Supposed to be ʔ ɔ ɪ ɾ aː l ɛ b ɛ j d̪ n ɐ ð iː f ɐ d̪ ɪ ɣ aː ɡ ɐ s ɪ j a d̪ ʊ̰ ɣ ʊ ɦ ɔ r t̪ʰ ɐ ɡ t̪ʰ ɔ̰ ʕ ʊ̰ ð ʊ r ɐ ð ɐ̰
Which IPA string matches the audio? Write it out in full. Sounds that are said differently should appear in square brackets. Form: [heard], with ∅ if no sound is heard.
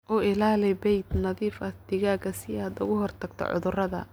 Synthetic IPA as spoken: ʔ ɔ ɪ [l] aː l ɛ b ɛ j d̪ n ɐ ð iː f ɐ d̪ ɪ ɣ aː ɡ ɐ s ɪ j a d̪ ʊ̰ ɣ ʊ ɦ ɔ r t̪ʰ ɐ ɡ t̪ʰ ɔ̰ ʕ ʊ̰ ð ʊ r ɐ ð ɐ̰